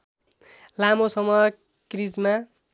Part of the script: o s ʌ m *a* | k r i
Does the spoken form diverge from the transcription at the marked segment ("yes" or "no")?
yes